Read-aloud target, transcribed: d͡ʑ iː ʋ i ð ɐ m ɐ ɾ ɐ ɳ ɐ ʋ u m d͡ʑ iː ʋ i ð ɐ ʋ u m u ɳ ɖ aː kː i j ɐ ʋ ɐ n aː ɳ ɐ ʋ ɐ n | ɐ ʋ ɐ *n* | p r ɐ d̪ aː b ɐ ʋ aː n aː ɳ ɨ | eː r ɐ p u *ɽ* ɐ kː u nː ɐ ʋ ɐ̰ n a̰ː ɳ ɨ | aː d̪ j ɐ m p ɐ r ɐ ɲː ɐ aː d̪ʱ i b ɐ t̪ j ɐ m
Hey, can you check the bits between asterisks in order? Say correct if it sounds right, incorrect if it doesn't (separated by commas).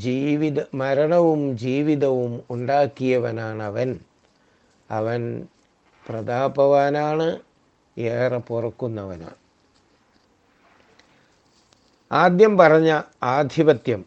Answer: correct, incorrect